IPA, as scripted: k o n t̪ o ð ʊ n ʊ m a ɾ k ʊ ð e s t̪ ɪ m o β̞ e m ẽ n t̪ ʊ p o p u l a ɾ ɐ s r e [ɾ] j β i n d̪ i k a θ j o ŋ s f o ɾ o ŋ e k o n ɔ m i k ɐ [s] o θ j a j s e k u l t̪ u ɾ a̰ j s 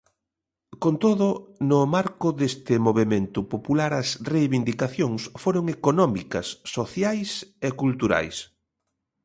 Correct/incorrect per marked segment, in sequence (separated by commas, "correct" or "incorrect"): incorrect, incorrect